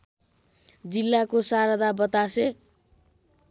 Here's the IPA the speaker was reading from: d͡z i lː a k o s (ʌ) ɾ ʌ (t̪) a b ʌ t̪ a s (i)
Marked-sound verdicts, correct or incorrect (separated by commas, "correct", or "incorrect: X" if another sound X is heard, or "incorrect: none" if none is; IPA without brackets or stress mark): incorrect: a, incorrect: d̪, incorrect: e